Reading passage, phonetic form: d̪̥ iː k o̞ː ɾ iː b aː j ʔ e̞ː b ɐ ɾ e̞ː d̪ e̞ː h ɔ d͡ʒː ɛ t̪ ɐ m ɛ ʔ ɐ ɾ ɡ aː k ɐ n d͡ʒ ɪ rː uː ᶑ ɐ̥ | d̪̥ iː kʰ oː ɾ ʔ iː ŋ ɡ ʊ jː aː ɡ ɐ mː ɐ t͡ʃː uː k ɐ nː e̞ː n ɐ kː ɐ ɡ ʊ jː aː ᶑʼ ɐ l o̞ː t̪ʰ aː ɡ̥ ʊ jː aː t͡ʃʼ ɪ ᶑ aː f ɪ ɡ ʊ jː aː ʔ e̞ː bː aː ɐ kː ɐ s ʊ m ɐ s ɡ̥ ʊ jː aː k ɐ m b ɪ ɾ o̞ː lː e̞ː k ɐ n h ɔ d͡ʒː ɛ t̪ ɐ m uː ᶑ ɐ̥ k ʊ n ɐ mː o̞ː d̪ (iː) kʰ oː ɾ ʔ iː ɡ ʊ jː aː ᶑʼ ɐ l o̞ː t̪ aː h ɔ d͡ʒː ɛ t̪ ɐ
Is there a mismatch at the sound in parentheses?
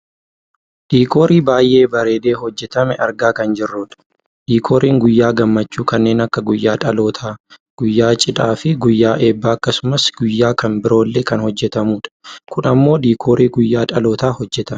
no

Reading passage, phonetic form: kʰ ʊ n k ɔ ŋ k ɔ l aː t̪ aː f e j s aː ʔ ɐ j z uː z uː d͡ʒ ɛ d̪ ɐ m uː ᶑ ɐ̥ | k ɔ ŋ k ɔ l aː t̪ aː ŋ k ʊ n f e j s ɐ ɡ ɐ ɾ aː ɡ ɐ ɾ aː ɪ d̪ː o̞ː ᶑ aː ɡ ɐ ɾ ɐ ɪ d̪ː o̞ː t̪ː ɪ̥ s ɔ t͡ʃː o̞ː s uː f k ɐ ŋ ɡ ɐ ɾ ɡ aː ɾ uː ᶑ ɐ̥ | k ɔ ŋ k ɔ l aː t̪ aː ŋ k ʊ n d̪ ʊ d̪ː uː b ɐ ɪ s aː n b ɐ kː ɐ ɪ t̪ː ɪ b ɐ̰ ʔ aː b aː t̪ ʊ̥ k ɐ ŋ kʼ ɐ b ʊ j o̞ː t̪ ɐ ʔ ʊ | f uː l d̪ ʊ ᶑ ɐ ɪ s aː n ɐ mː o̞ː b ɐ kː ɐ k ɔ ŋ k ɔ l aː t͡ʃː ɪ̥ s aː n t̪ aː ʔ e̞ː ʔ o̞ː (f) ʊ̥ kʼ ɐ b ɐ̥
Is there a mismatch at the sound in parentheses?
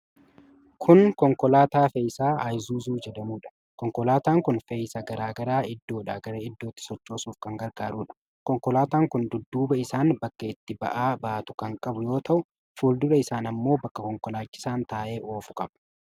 no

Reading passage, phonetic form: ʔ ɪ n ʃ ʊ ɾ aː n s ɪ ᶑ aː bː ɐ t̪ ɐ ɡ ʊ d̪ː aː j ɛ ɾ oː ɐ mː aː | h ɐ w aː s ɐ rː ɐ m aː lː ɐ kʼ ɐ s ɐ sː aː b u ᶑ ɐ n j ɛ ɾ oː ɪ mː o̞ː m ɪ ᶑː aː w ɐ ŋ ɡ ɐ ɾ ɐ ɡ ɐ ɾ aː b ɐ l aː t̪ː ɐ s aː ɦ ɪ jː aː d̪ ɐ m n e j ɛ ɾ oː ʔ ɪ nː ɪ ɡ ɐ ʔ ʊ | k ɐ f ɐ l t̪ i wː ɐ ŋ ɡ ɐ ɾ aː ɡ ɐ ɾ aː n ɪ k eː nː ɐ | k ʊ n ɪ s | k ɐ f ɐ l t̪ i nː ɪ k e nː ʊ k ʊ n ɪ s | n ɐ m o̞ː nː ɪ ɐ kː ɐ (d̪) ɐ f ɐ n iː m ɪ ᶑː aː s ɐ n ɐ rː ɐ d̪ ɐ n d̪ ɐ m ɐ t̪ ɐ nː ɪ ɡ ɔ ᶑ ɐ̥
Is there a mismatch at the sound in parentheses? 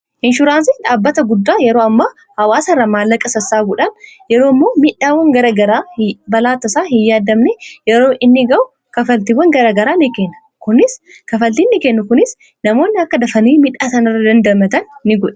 no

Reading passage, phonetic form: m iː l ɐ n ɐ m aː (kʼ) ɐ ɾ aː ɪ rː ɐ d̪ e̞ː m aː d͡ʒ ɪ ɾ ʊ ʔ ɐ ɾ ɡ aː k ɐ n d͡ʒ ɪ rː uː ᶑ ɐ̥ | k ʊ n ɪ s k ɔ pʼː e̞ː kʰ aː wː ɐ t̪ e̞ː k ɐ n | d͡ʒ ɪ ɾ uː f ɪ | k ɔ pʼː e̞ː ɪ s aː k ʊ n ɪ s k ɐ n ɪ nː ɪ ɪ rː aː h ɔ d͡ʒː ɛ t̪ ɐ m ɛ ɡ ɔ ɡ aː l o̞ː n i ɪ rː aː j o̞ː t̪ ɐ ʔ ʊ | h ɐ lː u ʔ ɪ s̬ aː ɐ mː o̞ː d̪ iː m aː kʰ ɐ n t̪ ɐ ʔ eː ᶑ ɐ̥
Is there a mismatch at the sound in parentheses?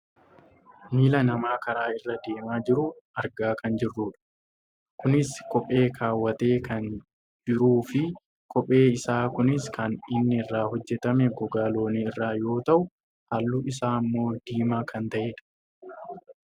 yes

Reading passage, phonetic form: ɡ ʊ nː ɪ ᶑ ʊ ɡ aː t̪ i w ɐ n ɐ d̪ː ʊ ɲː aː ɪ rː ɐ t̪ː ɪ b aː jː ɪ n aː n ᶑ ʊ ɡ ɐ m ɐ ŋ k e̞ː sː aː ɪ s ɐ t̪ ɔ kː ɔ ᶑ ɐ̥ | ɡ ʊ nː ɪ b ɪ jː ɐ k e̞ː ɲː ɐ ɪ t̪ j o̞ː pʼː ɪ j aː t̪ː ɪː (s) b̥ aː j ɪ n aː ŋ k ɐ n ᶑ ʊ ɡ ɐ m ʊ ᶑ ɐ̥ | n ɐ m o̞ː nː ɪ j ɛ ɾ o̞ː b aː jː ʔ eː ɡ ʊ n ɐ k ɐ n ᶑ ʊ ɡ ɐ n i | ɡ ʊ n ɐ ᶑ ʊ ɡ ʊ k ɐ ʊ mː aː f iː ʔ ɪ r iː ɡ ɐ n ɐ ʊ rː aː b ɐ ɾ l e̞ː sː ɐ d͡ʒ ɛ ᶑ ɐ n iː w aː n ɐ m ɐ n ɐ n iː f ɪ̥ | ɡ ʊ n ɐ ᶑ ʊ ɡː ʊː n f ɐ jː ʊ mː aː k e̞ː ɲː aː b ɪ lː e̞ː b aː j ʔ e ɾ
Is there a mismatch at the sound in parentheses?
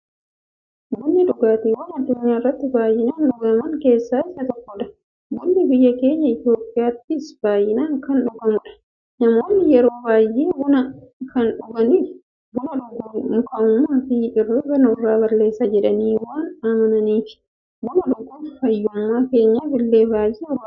no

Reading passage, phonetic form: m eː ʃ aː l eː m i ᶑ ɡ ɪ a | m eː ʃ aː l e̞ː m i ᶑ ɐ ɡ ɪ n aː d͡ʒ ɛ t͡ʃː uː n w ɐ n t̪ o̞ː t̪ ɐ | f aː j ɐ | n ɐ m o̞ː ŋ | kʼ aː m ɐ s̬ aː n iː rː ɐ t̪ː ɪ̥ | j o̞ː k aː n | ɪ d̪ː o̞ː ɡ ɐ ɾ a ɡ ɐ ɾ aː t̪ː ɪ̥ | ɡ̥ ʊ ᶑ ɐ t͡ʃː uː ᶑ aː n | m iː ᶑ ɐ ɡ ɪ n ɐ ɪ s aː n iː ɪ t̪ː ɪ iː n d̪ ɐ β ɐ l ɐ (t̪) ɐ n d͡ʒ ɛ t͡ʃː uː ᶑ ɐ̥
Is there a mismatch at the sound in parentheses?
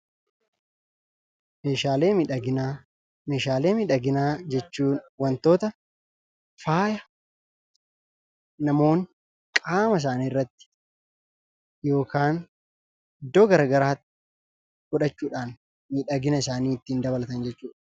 no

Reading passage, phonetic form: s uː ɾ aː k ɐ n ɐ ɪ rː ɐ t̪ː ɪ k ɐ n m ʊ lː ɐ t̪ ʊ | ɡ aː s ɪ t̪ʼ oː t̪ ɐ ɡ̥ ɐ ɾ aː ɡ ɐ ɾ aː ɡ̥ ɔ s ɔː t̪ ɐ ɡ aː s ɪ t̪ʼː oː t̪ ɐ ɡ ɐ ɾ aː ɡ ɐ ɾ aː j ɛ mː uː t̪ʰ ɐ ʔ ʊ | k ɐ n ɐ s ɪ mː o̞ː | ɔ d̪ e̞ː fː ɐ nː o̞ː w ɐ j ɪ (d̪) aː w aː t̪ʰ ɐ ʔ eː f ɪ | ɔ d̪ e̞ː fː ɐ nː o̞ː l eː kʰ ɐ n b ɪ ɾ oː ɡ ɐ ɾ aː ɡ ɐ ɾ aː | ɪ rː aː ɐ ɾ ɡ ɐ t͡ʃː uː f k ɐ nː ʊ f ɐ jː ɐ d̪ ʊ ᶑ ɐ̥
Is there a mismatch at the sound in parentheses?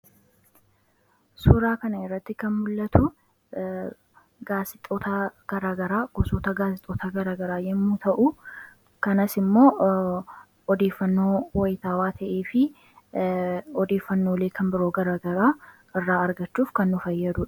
yes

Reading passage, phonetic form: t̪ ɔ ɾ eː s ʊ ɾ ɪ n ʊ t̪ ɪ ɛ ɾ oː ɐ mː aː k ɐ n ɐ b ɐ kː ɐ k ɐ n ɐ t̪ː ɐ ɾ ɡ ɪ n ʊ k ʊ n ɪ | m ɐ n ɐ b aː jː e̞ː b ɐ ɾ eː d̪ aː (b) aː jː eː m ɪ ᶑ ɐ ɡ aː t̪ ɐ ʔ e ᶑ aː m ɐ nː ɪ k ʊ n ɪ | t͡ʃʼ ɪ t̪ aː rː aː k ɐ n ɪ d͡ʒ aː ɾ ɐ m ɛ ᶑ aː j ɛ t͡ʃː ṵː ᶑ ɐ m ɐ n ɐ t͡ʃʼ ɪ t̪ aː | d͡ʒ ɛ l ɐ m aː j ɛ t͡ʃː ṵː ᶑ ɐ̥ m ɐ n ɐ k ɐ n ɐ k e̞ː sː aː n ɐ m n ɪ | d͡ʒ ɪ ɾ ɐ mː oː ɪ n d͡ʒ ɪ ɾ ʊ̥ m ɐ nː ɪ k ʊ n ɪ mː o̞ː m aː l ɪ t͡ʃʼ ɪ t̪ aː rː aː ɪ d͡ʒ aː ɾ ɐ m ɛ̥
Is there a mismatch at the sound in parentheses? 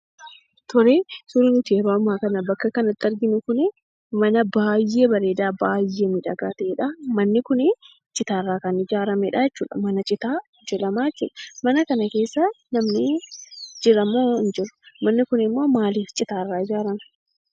no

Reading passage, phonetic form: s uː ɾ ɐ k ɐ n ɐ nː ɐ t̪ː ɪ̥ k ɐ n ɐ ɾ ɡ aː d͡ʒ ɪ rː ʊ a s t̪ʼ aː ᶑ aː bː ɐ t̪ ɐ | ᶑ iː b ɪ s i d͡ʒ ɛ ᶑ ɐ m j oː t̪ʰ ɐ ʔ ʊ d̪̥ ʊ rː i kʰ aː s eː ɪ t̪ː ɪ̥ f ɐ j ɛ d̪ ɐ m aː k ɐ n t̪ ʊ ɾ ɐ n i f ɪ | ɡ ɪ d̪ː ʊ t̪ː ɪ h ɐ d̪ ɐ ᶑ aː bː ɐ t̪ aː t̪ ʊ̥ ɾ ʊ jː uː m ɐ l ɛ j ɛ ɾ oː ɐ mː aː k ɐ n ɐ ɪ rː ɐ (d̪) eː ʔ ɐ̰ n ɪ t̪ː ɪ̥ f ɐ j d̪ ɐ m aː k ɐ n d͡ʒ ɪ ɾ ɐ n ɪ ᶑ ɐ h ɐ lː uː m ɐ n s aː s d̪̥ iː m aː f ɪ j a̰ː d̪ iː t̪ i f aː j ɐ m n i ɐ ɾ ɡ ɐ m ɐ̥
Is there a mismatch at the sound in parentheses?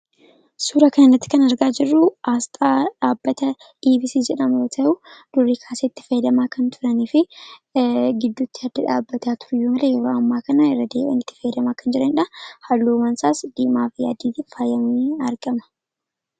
no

